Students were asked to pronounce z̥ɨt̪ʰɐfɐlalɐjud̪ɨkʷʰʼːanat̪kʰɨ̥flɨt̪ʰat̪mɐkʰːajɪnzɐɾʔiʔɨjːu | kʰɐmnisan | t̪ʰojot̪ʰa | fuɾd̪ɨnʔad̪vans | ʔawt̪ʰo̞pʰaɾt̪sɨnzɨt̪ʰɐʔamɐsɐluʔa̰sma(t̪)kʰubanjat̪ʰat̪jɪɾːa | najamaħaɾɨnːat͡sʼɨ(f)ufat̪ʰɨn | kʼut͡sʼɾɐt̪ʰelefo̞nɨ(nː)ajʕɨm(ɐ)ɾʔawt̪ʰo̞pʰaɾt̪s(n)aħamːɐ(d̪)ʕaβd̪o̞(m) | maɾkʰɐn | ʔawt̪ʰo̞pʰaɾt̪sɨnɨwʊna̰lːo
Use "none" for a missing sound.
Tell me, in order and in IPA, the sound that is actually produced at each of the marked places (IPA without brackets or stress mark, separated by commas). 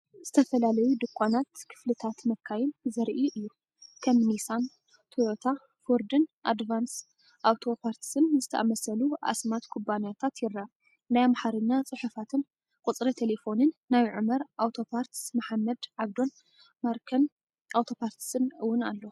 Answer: t̪, ħ, nː, ɐ, m, d̪, n